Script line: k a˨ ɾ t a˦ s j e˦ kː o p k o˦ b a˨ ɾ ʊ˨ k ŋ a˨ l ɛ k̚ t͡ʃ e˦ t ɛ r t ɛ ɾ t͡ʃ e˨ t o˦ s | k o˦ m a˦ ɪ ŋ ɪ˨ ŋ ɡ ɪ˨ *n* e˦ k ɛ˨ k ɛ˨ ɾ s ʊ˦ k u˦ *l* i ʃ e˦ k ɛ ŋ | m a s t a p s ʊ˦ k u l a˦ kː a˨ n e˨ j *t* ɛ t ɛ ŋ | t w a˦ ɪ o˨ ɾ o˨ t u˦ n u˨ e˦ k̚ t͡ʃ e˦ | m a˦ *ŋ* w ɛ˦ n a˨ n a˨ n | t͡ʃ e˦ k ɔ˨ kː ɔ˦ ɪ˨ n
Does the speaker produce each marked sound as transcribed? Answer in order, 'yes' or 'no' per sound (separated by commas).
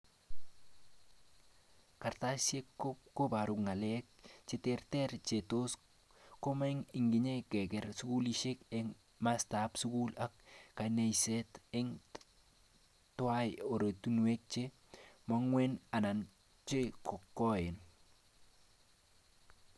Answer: no, yes, no, yes